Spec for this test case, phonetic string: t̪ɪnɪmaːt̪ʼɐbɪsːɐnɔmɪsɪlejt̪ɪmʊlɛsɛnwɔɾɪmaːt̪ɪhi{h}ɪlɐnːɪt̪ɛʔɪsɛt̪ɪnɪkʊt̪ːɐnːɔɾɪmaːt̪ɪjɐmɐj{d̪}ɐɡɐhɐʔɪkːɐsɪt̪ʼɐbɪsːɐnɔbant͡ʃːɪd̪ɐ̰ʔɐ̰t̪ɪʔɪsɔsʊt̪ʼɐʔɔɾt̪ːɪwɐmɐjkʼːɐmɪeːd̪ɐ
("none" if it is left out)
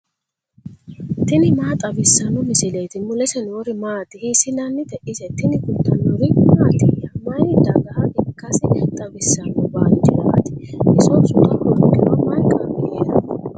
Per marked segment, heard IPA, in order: s, d̪

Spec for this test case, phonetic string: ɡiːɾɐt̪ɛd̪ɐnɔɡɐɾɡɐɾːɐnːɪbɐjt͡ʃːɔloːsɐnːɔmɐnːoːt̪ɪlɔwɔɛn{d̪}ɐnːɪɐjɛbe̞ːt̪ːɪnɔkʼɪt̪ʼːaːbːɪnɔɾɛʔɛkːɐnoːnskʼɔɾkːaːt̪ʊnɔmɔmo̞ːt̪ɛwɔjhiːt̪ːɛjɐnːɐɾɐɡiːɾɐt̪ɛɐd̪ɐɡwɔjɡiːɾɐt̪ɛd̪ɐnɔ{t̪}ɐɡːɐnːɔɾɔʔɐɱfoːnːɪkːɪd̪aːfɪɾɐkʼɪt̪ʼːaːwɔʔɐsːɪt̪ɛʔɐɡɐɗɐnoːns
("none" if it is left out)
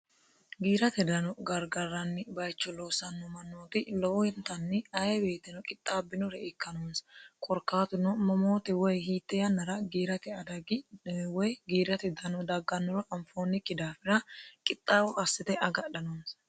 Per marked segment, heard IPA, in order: t̪, d̪

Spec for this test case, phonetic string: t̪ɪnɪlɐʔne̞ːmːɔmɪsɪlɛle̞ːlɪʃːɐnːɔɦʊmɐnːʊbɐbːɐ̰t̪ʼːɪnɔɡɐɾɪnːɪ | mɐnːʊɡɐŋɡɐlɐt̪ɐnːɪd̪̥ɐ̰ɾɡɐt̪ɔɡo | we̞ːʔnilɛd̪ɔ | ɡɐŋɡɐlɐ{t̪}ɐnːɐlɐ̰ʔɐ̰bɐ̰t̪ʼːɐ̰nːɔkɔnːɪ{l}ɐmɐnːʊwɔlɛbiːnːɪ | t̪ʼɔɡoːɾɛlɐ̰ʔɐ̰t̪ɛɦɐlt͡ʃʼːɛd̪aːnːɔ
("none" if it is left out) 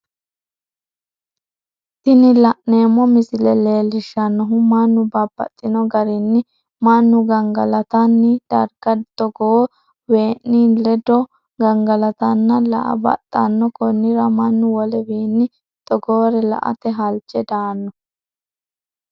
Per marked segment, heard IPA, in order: t̪, ɾ

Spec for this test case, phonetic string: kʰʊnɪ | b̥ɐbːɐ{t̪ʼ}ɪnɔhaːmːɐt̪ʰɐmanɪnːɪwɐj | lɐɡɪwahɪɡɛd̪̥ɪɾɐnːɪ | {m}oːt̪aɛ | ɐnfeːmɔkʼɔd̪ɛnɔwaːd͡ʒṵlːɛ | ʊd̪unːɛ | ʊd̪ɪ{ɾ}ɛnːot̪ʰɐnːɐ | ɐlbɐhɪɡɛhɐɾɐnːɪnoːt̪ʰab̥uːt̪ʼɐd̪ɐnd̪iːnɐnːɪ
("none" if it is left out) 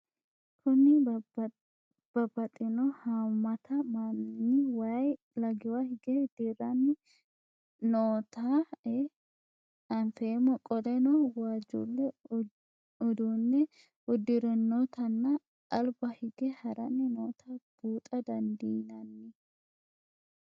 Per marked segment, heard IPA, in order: t̪ʼ, n, ɾ

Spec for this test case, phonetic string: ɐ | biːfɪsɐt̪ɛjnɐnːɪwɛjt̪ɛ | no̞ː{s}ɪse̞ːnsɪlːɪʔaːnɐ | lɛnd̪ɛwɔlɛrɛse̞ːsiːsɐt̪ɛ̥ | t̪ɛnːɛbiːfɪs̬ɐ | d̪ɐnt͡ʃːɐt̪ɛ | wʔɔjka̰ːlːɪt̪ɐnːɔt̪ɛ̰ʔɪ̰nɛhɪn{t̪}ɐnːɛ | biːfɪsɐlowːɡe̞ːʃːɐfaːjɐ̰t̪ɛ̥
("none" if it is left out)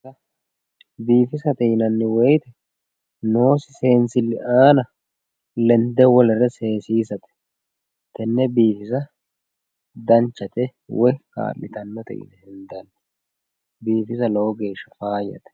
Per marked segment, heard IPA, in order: s, d̪

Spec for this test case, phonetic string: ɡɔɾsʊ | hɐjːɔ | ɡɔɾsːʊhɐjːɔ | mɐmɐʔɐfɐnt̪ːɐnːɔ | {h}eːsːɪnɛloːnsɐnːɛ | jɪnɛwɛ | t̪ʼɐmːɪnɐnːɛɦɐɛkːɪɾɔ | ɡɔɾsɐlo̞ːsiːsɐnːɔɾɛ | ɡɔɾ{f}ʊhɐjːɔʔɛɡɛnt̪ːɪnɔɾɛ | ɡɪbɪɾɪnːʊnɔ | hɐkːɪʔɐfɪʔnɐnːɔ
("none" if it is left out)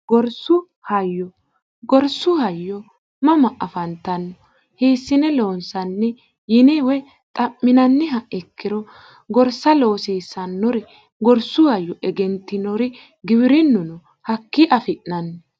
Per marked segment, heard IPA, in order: h, s

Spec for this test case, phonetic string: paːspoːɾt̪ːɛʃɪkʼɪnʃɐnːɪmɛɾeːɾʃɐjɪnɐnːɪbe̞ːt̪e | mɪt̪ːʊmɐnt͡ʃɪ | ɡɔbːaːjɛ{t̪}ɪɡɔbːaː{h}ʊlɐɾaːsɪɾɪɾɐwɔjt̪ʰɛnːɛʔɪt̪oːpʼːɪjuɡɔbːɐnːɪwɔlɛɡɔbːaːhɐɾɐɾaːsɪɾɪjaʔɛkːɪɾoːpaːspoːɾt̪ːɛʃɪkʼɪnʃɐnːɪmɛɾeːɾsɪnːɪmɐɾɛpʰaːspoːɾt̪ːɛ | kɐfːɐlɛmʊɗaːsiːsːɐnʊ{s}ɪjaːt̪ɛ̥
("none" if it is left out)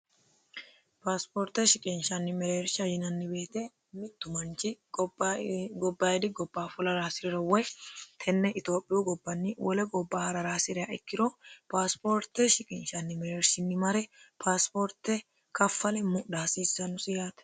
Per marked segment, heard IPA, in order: d̪, f, s

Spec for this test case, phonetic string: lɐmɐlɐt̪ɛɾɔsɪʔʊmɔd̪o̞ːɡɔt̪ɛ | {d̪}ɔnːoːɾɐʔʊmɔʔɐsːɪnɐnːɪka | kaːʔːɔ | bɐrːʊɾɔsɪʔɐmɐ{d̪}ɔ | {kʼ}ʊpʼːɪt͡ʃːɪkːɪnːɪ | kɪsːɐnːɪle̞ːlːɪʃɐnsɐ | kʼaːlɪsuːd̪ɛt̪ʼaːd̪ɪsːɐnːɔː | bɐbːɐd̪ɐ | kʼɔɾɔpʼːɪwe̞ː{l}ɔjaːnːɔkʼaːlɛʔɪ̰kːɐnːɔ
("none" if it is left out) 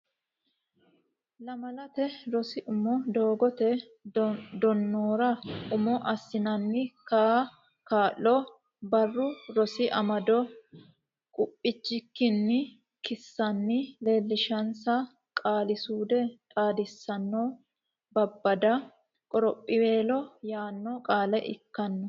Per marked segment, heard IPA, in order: d̪, d̪, kʼ, l

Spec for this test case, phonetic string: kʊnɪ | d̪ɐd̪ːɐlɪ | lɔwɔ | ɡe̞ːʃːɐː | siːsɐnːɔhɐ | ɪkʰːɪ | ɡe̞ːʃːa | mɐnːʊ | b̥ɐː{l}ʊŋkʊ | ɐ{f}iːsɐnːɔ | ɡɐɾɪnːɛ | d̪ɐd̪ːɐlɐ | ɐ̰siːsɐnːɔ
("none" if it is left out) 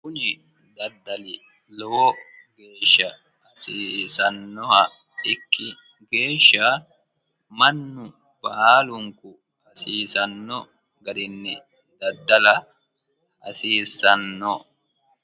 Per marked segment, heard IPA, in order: l, s

